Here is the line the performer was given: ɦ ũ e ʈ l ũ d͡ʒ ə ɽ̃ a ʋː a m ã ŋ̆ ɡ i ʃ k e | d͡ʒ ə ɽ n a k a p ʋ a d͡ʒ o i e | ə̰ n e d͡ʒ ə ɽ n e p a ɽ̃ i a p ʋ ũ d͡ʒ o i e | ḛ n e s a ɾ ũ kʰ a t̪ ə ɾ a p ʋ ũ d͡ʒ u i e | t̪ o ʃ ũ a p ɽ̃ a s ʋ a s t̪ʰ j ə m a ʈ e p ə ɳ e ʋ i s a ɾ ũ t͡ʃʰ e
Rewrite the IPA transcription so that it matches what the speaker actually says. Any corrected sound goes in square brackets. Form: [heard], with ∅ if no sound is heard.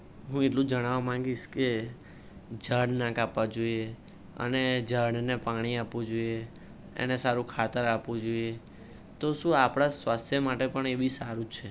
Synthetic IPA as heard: ɦ ũ e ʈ l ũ d͡ʒ ə ɽ̃ a [ʋ] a m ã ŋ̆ ɡ i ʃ k e | d͡ʒ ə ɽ n a k a p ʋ a d͡ʒ o i e | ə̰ n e d͡ʒ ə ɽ n e p a ɽ̃ i a p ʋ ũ d͡ʒ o i e | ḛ n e s a ɾ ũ kʰ a t̪ ə ɾ a p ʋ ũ d͡ʒ [o] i e | t̪ o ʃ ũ a p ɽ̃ a s ʋ a s t̪ʰ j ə m a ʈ e p ə ɳ e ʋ i s a ɾ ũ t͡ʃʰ e